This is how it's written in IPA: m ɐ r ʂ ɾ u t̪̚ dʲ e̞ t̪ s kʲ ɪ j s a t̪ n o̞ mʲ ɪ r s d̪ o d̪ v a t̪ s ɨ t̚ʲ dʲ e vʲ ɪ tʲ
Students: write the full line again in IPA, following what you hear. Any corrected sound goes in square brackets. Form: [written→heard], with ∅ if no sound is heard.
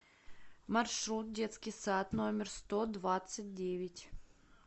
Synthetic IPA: m ɐ r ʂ ɾ u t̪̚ dʲ e̞ t̪ s kʲ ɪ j s a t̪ n o̞ mʲ ɪ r s [d̪→t̪] o d̪ v a t̪ s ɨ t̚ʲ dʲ e vʲ ɪ tʲ

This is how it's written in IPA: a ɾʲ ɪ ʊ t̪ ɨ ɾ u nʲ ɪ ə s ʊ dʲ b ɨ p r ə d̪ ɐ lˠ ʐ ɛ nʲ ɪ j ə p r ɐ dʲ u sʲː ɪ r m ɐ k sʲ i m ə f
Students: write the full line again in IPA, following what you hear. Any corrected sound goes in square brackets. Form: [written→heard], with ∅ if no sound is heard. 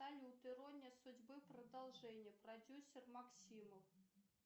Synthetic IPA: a [ɾʲ→lʲ] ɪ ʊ t̪ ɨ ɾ [u→o] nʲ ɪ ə s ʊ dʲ b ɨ p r ə d̪ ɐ lˠ ʐ ɛ nʲ ɪ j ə p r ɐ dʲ u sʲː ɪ r m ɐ k sʲ i m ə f

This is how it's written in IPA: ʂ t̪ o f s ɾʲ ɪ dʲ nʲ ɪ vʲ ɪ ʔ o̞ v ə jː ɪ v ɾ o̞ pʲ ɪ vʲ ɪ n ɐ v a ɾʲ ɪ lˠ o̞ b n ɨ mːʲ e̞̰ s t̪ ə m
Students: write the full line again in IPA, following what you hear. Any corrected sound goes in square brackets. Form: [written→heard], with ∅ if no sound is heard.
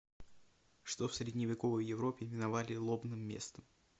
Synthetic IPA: ʂ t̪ o f s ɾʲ ɪ dʲ nʲ ɪ vʲ ɪ [ʔ→k] o̞ v ə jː ɪ v ɾ o̞ pʲ ɪ vʲ ɪ n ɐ v a [ɾʲ→lʲ] ɪ lˠ o̞ b n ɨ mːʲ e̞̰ s t̪ ə m

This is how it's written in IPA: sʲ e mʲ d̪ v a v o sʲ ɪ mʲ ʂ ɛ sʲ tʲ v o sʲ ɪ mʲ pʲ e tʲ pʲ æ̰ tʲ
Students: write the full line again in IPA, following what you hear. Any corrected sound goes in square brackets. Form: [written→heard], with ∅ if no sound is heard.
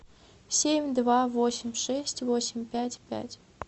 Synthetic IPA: sʲ e mʲ d̪ v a v o sʲ ɪ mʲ ʂ ɛ sʲ tʲ v o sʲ ɪ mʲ pʲ [e→æ] tʲ pʲ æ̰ tʲ

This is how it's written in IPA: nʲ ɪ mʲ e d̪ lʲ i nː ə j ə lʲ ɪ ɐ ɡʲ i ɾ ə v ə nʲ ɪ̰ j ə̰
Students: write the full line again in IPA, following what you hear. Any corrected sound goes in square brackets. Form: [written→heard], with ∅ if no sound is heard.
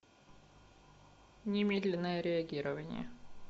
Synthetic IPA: nʲ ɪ mʲ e d̪ lʲ [i→ɪ] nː ə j ə [lʲ→ɾʲ] ɪ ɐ ɡʲ i ɾ ə v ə nʲ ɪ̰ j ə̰

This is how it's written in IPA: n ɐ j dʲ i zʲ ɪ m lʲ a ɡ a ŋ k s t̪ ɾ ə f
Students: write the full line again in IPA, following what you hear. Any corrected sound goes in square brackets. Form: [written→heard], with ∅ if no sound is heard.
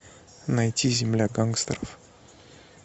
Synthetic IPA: n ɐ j [dʲ→tʲ] i zʲ ɪ m lʲ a ɡ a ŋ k s t̪ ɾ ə f

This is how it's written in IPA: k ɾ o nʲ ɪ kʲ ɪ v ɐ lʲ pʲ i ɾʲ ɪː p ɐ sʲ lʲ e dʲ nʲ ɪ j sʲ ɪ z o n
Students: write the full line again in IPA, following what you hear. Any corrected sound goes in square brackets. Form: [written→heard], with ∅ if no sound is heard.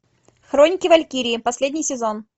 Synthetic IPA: [k→x] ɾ o nʲ ɪ kʲ ɪ v ɐ lʲ [pʲ→kʲ] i ɾʲ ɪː p ɐ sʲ lʲ e dʲ nʲ ɪ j sʲ ɪ z o n

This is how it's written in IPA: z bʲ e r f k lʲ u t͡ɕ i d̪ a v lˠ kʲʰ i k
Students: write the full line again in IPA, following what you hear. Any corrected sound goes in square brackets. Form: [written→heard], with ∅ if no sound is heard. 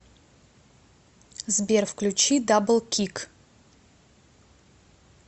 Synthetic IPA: z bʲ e r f k lʲ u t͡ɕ i d̪ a [v→b] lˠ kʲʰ i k

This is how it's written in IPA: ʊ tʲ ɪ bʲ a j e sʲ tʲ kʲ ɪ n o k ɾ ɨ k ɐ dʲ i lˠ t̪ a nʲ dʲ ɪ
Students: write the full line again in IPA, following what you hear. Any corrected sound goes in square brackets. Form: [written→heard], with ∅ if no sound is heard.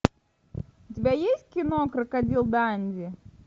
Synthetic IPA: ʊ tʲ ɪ bʲ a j e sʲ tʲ kʲ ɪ n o k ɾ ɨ k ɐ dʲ i lˠ [t̪→d̪] a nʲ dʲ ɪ

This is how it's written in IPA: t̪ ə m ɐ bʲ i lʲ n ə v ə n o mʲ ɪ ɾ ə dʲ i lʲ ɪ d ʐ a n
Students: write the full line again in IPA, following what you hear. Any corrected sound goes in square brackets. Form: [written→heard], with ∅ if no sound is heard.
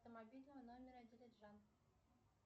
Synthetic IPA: t̪ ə m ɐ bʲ i lʲ n ə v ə n o mʲ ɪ ɾ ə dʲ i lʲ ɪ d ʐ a n

